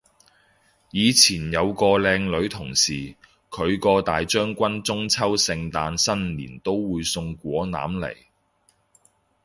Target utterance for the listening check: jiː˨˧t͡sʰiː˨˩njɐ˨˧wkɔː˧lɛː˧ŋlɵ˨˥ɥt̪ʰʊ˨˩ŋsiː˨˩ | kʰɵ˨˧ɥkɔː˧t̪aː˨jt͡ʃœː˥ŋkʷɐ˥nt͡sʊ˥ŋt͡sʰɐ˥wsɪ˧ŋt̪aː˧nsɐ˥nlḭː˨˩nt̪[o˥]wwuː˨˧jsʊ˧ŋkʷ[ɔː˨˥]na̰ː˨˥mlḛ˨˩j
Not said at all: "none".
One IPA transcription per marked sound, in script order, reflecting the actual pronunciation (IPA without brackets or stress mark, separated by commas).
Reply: o˥, ɔː˨˥